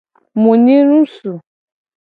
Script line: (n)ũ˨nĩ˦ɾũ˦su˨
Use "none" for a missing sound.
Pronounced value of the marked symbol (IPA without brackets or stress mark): m